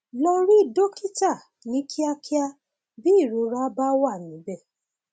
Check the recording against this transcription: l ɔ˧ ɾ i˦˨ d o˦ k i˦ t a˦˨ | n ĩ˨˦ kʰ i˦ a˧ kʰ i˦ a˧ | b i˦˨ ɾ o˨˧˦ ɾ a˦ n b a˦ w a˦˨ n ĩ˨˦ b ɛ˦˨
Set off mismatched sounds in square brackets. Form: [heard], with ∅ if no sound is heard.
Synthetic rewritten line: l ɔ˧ ɾ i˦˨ d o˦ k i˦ t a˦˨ | n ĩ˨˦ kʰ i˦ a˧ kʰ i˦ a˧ | b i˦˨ ɾ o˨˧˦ ɾ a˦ [∅] b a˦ w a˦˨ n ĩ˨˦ b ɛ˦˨

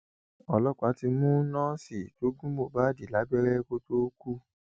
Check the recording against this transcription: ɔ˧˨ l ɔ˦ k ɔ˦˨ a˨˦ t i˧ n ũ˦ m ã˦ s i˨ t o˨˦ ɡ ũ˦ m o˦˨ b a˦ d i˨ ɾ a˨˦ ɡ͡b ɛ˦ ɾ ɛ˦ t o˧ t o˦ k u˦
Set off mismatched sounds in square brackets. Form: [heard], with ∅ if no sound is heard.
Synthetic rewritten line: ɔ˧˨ l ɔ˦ k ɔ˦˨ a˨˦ t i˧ [m] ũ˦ [n] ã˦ s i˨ t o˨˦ ɡ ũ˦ m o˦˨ b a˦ d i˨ [l] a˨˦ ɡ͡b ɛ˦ ɾ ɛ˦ [k] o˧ t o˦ k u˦

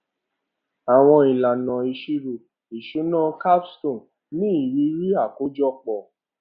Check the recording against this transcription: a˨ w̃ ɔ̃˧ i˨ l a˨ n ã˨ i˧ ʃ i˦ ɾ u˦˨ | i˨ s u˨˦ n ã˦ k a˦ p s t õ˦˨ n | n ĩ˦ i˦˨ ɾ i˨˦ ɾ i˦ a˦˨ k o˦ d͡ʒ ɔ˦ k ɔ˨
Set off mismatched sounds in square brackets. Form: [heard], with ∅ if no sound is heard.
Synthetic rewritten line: a˨ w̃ ɔ̃˧ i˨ l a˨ n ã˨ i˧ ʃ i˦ ɾ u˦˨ | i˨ [ʃ] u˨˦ n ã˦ k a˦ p s t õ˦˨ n | n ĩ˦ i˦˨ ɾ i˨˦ ɾ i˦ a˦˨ k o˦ d͡ʒ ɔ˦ [k͡p] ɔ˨

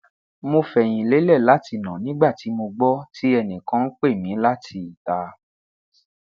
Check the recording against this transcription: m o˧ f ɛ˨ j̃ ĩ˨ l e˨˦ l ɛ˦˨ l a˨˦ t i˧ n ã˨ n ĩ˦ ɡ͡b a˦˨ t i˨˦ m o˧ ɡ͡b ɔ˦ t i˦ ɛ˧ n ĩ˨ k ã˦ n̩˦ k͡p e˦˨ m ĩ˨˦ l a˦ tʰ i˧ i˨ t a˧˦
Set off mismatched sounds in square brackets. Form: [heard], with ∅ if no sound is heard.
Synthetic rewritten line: m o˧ f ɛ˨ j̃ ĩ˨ l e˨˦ l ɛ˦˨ l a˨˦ t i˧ n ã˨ n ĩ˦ ɡ͡b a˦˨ t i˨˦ m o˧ ɡ͡b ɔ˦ t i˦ ɛ˧ n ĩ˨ k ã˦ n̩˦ k͡p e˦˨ m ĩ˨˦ l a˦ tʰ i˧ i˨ t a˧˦

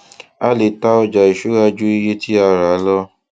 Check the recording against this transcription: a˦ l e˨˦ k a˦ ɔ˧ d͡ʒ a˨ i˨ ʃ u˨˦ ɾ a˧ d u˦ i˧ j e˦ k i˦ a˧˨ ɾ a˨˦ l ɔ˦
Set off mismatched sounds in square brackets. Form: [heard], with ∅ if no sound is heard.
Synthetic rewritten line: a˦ l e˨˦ [t] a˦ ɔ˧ d͡ʒ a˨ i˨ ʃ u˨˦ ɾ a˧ [d͡ʒ] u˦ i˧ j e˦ [t] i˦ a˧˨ ɾ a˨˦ l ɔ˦

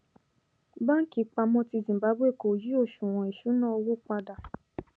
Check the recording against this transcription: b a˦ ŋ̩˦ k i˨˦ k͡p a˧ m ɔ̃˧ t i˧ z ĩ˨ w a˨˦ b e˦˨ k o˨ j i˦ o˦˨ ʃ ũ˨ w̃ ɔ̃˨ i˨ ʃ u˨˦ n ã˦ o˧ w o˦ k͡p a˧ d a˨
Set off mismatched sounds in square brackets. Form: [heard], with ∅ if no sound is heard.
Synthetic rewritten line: b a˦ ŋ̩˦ k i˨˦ k͡p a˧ m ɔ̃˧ t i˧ z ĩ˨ [b] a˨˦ b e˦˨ k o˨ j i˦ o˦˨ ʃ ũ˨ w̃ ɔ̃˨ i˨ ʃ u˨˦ n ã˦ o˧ w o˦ k͡p a˧ d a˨

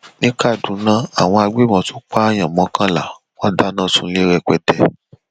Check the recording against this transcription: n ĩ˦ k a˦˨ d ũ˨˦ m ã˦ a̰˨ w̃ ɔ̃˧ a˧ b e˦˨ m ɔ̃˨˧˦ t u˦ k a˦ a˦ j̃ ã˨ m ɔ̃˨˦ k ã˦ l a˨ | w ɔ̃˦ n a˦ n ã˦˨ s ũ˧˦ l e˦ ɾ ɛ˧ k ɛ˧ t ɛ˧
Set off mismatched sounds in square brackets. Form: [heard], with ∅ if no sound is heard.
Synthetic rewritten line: n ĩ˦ k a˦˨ d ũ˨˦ [n] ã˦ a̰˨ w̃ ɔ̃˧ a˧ [ɡ͡b] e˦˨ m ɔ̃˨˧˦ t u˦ [k͡p] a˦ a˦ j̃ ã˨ m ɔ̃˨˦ k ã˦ l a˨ | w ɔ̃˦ [d] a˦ n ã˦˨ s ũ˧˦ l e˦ ɾ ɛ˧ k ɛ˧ t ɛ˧

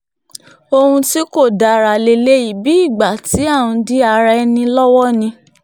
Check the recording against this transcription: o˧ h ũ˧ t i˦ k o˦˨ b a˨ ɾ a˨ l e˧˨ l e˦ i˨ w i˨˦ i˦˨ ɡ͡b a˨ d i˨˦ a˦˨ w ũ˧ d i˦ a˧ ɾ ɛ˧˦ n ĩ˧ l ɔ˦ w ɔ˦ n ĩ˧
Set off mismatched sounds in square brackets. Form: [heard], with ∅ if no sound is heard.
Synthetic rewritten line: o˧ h ũ˧ t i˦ k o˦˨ [d] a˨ ɾ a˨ l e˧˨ l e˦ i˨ [b] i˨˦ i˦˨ ɡ͡b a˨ [t] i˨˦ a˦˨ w ũ˧ d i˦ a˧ ɾ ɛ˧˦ n ĩ˧ l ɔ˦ w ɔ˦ n ĩ˧

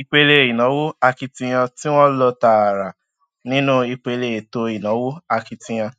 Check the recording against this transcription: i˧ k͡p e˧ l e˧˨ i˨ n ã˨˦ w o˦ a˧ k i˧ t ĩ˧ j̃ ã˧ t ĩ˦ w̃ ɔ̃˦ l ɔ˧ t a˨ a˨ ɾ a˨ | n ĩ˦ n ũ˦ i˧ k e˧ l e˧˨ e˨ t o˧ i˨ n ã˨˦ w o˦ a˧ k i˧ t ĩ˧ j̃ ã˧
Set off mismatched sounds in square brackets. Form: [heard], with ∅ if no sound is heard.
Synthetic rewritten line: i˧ k͡p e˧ l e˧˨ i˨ n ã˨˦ w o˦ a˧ k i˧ t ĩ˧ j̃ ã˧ t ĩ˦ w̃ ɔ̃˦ l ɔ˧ t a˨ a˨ ɾ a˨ | n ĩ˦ n ũ˦ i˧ [k͡p] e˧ l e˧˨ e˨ t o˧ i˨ n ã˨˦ w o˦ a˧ k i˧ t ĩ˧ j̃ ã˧

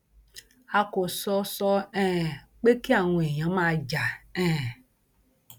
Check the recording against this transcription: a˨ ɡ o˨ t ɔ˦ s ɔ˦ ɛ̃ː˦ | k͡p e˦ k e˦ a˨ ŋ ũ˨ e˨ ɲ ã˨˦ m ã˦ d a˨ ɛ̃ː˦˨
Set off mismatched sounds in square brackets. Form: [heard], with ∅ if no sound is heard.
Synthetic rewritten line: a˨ [k] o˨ [s] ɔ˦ s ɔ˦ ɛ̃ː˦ | k͡p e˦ k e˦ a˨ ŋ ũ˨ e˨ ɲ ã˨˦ m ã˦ [d͡ʒ] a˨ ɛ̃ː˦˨

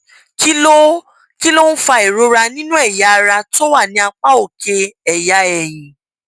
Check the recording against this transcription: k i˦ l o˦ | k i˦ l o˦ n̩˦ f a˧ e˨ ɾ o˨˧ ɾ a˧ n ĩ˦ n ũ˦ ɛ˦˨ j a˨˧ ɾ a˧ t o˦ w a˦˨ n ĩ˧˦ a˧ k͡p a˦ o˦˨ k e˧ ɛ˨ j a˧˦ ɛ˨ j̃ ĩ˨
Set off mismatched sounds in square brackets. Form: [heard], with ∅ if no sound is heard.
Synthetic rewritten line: k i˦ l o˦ | k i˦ l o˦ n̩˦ f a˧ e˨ ɾ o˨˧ ɾ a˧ n ĩ˦ n ũ˦ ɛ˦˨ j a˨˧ ɾ a˧ t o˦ w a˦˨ n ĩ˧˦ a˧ k͡p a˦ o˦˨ k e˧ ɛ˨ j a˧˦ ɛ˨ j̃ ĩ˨

